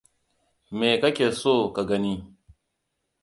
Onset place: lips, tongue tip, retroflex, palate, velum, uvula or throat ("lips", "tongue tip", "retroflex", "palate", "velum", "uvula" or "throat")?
lips